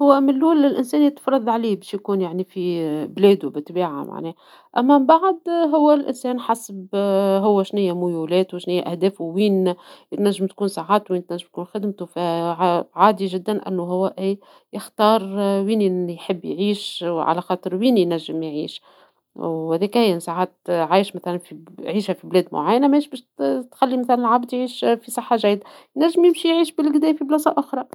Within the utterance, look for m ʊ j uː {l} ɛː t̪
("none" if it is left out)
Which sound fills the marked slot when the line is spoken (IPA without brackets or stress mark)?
l